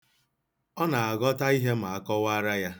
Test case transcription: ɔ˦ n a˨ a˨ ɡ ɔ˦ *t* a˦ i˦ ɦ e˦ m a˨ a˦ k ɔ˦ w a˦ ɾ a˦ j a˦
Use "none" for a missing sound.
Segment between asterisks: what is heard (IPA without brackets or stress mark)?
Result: t